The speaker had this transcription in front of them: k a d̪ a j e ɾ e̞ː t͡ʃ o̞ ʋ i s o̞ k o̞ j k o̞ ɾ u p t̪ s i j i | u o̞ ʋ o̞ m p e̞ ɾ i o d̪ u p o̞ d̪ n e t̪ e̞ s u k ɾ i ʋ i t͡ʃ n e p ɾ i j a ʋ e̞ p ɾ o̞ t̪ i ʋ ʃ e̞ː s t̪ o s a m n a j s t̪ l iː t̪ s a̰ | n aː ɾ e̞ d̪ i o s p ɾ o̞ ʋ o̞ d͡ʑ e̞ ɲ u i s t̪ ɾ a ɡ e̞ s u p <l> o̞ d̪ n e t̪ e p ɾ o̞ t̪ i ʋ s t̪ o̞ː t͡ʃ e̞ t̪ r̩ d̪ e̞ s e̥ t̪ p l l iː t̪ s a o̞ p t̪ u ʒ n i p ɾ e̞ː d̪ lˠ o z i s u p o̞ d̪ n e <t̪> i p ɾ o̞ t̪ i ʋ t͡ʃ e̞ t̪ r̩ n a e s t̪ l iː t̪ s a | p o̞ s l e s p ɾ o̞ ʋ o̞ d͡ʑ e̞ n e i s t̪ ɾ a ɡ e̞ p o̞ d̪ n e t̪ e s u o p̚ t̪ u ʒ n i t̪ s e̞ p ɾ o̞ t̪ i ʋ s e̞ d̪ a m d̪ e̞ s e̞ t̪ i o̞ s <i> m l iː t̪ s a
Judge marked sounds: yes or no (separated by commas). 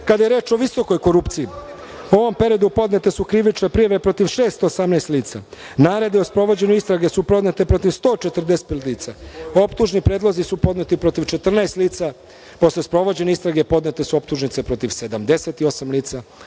no, yes, no